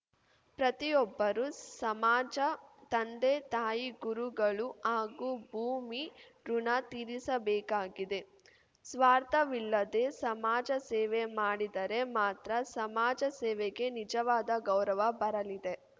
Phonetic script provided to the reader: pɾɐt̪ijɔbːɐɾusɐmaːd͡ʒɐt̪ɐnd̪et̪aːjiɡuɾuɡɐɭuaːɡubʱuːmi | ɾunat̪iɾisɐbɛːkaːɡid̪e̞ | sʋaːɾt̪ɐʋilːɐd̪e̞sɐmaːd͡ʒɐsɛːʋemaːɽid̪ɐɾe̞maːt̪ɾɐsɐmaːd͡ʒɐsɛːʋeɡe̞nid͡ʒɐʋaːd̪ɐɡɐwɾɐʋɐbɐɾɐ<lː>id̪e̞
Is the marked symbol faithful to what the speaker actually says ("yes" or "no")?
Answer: no